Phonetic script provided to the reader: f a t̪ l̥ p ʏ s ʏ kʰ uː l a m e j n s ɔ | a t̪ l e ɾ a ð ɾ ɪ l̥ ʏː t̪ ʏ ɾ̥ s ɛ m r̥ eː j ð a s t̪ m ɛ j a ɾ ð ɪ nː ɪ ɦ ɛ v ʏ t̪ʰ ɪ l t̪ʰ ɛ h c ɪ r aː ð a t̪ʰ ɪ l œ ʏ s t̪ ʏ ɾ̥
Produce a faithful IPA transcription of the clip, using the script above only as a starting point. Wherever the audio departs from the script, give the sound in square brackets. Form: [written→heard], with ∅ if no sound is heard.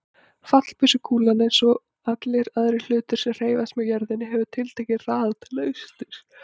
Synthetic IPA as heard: f a t̪ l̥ p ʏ s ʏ kʰ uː l a [m→n] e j n s ɔ | a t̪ l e ɾ a ð ɾ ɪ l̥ ʏː t̪ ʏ ɾ̥ s ɛ m r̥ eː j [ð→v] a s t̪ m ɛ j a ɾ ð ɪ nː ɪ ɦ ɛ v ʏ t̪ʰ ɪ l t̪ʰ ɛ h c ɪ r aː ð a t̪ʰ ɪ l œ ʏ s t̪ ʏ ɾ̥